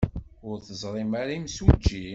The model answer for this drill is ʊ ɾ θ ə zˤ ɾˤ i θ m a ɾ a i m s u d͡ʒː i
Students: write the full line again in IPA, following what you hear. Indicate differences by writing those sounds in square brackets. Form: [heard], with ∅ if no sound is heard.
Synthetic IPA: ʊ ɾ θ ə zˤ ɾˤ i [∅] m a ɾ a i m s u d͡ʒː i